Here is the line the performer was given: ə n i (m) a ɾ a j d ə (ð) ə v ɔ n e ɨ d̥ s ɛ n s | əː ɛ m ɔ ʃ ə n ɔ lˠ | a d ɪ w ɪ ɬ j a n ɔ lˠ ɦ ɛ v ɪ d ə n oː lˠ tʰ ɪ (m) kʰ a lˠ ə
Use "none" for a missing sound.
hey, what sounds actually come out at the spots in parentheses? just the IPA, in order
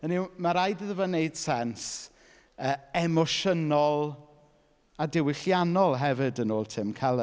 m, ð, m

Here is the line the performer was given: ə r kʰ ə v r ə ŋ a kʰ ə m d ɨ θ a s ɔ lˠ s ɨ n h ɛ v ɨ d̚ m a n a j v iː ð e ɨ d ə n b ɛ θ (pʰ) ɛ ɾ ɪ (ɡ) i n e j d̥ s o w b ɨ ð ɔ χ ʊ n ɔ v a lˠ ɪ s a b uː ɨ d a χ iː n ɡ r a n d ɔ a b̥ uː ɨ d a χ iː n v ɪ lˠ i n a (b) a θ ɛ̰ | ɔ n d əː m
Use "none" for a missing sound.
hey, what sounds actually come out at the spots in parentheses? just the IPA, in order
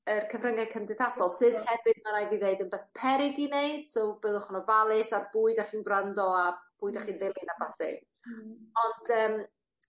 pʰ, ɡ, b

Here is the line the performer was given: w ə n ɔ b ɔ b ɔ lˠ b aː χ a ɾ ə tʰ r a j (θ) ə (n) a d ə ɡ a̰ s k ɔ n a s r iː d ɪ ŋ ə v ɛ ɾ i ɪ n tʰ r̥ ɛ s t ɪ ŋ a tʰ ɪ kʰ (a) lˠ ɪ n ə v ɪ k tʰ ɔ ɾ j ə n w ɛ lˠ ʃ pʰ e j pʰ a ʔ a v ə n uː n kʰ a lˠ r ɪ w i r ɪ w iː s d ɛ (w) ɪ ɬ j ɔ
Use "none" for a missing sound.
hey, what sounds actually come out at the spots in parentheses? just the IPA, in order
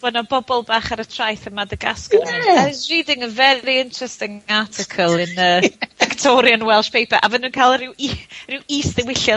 θ, m, ə, w

